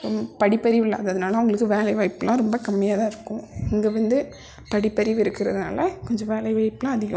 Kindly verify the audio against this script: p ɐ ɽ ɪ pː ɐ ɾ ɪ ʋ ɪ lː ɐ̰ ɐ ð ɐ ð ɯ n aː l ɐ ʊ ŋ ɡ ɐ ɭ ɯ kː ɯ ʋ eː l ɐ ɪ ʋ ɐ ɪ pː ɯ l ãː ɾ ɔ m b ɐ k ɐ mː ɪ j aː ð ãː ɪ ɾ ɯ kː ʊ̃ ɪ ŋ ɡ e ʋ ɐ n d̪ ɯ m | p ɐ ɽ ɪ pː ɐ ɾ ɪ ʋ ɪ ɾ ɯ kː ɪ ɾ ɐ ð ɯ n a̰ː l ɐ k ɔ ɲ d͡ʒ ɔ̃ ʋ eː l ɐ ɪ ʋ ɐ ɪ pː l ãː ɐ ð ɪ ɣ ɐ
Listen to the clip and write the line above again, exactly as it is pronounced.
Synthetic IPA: p ɐ ɽ ɪ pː ɐ ɾ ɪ ʋ ɪ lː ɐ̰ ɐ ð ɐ ð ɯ n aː l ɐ ʊ ŋ ɡ ɐ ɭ ɯ kː ɯ ʋ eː l ɐ ɪ ʋ ɐ ɪ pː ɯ l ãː ɾ ɔ m b ɐ k ɐ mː ɪ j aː ð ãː ɪ ɾ ɯ kː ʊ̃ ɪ ŋ ɡ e ʋ ɐ n d̪ ɯ | p ɐ ɽ ɪ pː ɐ ɾ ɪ ʋ ɪ ɾ ɯ kː ɪ ɾ ɐ ð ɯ n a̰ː l ɐ k ɔ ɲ d͡ʒ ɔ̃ ʋ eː l ɐ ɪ ʋ ɐ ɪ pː l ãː ɐ ð ɪ ɣ ɐ

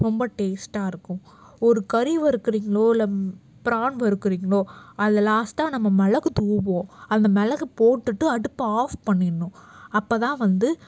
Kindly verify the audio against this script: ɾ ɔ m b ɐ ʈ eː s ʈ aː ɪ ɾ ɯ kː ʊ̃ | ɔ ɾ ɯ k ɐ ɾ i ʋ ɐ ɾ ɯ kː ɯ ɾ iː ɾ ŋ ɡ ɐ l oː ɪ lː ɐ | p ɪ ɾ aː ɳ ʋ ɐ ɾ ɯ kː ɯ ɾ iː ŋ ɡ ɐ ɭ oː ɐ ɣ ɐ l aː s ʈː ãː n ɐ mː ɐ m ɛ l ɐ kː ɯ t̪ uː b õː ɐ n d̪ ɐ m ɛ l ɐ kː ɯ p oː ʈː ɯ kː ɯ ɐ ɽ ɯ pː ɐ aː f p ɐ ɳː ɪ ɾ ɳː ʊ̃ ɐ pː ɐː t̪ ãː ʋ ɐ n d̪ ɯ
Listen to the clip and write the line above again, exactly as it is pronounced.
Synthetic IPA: ɾ ɔ m b ɐ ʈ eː s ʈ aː ɪ ɾ ɯ kː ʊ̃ | ɔ ɾ ɯ k ɐ ɾ i ʋ ɐ ɾ ɯ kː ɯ ɾ iː ŋ ɡ ɐ ɭ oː ɪ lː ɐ | p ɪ ɾ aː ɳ ʋ ɐ ɾ ɯ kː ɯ ɾ iː ŋ ɡ ɐ ɭ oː ɐ ð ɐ l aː s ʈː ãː n ɐ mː ɐ m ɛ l ɐ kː ɯ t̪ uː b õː ɐ n d̪ ɐ m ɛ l ɐ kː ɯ p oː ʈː ɯ ʈː ɯ ɐ ɽ ɯ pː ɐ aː f p ɐ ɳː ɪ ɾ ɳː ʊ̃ ɐ pː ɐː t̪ ãː ʋ ɐ n d̪ ɯ

